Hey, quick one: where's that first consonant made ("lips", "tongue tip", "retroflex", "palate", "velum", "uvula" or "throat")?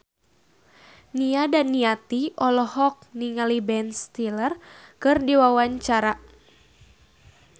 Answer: tongue tip